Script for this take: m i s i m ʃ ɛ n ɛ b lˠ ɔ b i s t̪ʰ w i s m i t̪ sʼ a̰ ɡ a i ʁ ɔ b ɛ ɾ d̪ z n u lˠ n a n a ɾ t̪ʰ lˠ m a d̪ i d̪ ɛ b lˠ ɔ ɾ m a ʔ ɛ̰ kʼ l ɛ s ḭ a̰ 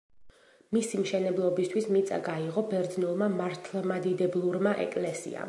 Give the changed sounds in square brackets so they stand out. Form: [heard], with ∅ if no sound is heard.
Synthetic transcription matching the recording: m i s i m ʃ ɛ n ɛ b lˠ ɔ b i s t̪ʰ w i s m i t̪ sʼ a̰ ɡ a i ʁ ɔ b ɛ ɾ d̪ z n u lˠ [m] a [m] a ɾ t̪ʰ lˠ m a d̪ i d̪ ɛ b lˠ [u] ɾ m a ʔ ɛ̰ kʼ l ɛ s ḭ a̰

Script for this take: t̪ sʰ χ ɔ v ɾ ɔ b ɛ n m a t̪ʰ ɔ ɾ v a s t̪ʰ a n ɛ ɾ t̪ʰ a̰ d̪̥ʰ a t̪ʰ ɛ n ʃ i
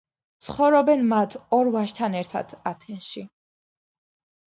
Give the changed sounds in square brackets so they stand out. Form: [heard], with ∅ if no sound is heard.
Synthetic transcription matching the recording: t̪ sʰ χ ɔ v ɾ ɔ b ɛ n m a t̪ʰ ɔ ɾ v a [ʃ] t̪ʰ a n ɛ ɾ t̪ʰ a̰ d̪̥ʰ a t̪ʰ ɛ n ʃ i

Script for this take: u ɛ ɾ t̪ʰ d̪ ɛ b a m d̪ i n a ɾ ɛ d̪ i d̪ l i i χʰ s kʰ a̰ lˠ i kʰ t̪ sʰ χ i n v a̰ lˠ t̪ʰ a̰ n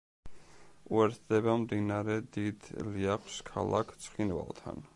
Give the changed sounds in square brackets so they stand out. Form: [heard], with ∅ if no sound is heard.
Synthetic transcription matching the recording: u ɛ ɾ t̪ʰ d̪ ɛ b a m d̪ i n a ɾ ɛ d̪ i d̪ l i [a] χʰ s kʰ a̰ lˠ [a] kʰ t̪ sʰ χ i n v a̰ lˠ t̪ʰ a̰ n

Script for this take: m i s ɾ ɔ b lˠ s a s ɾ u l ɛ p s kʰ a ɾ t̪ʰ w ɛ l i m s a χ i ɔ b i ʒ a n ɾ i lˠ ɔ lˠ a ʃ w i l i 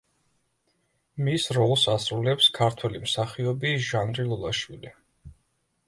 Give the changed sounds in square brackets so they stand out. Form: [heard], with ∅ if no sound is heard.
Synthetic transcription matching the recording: m i s ɾ ɔ [∅] lˠ s a s ɾ u l ɛ p s kʰ a ɾ t̪ʰ w ɛ l i m s a χ i ɔ b i ʒ a n ɾ i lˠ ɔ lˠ a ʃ w i l i

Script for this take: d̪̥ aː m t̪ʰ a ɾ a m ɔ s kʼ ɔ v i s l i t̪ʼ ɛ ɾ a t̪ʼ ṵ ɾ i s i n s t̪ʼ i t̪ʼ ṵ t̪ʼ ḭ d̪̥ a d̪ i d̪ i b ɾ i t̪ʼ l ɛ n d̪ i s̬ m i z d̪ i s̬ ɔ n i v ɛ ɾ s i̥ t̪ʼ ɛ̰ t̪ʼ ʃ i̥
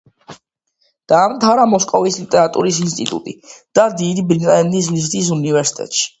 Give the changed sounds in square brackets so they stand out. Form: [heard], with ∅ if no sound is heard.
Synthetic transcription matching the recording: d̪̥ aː m t̪ʰ a ɾ a m ɔ s kʼ ɔ v i s l i t̪ʼ ɛ ɾ a t̪ʼ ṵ ɾ i s i n s t̪ʼ i t̪ʼ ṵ t̪ʼ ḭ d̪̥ a d̪ i d̪ i b ɾ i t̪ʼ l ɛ n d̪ i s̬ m i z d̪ i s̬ [u] n i v ɛ ɾ s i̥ t̪ʼ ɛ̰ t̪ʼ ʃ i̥

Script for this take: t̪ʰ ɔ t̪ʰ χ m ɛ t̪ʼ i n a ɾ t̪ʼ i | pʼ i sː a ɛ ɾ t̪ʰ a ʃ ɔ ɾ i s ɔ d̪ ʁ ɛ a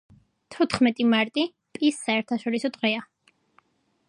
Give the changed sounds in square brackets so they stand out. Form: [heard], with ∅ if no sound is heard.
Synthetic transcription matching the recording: t̪ʰ ɔ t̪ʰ χ m ɛ t̪ʼ i [m] a ɾ t̪ʼ i | pʼ i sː a ɛ ɾ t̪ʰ a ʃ ɔ ɾ i s ɔ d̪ ʁ ɛ a

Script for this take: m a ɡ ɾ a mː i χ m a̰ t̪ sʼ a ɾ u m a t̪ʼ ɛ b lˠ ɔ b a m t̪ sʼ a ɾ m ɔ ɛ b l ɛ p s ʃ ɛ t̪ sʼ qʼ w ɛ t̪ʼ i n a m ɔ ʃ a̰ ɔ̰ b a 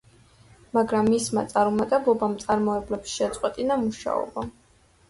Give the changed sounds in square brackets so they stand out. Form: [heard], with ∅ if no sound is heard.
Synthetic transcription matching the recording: m a ɡ ɾ a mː i [s] m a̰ t̪ sʼ a ɾ u m a t̪ʼ ɛ b lˠ ɔ b a m t̪ sʼ a ɾ m ɔ ɛ b l ɛ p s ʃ ɛ t̪ sʼ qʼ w ɛ t̪ʼ i n a m [u] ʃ a̰ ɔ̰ b a

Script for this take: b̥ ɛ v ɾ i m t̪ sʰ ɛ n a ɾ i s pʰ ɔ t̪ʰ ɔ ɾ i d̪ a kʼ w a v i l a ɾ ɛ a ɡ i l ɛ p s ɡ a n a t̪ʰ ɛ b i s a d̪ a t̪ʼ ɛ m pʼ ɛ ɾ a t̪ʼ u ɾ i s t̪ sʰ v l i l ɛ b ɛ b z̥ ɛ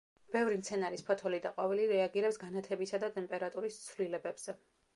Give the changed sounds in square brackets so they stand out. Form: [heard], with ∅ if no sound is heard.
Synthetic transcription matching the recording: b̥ ɛ v ɾ i m t̪ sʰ ɛ n a ɾ i s pʰ ɔ t̪ʰ ɔ [l] i d̪ a [qʼ] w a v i l [i] ɾ ɛ a ɡ i [ɾ] ɛ p s ɡ a n a t̪ʰ ɛ b i s a d̪ a t̪ʼ ɛ m pʼ ɛ ɾ a t̪ʼ u ɾ i s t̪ sʰ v l i l ɛ b ɛ b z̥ ɛ

